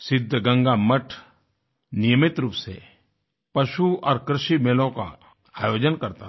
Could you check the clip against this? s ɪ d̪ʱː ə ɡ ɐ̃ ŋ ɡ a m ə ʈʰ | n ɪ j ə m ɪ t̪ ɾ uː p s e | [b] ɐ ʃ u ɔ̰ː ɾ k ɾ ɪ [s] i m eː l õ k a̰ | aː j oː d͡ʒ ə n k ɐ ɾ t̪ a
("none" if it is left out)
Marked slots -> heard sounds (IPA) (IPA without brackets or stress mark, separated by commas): p, ʃ